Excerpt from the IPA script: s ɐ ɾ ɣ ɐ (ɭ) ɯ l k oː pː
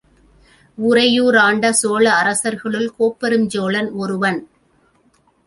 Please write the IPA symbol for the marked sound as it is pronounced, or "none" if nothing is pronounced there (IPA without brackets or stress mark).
ɭ